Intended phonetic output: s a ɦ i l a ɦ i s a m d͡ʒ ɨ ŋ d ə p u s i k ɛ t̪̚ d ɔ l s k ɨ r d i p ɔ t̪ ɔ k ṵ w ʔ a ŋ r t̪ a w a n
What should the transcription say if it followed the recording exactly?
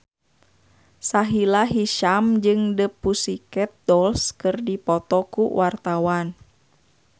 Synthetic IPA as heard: s a ɦ i l a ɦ i ʃ a m d͡ʒ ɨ ŋ d ə p u s i k ɛ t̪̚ d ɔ l s k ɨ r d i p ɔ t̪ ɔ k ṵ w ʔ a r t̪ a w a n